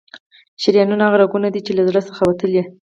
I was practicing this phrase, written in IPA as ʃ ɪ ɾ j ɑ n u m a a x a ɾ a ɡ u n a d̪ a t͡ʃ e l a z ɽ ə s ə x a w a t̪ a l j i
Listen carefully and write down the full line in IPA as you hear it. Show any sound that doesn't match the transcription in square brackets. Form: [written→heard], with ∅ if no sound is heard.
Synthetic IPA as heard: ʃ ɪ ɾ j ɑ n u [m→n] a a [x→ɣ] a ɾ a ɡ u n a d̪ [a→i] t͡ʃ e l a z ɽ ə s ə x a w a t̪ [a→ə] l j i